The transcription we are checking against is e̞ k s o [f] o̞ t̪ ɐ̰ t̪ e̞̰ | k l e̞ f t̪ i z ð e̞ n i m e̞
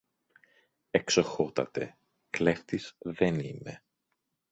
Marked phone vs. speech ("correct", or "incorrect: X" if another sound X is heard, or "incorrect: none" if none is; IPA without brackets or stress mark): incorrect: x